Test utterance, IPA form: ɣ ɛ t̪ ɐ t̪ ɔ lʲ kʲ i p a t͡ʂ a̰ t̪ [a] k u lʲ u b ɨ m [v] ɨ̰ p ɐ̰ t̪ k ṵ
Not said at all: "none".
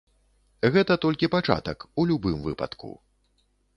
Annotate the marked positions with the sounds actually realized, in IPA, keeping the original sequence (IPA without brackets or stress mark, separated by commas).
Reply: ɐ, v